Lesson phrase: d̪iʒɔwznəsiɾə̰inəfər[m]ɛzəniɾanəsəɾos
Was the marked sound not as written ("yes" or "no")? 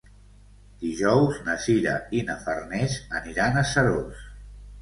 yes